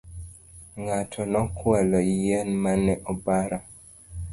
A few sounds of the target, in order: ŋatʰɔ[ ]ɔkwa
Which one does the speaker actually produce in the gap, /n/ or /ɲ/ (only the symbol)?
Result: n